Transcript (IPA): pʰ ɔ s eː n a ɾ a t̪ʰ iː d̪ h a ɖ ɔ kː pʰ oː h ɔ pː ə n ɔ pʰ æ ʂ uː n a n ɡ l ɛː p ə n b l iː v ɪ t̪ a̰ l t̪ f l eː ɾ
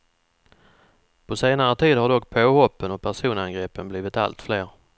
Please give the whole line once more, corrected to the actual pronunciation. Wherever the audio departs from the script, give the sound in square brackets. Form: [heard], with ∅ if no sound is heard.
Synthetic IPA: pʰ ɔ s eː n a ɾ [ə] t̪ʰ iː d̪ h a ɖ ɔ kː pʰ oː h ɔ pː ə n ɔ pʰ æ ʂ uː n a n ɡ [ɾ] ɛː p ə n b l iː v ɪ t̪ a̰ l t̪ f l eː ɾ